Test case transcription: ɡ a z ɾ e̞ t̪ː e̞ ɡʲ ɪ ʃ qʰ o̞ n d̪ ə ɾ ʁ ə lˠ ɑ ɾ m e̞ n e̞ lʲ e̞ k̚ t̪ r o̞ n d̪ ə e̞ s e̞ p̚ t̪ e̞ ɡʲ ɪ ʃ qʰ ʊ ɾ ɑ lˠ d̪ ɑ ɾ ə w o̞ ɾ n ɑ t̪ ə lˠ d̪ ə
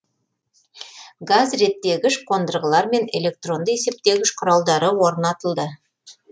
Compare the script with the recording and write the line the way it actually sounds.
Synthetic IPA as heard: ɡ a z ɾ e̞ t̪ː e̞ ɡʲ ɪ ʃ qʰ o̞ n d̪ ə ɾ ʁ ə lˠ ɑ ɾ m e̞ n e̞ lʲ e̞ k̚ t̪ r o̞ n d̪ ə e̞ s e̞ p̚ t̪ e̞ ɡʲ ɪ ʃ qʰ ʊ ɾ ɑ lˠ d̪ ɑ ɾ ə w o̞ ɾ n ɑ t̪ ə lˠ d̪ ə